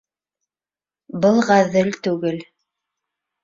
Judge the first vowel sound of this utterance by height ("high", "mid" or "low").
mid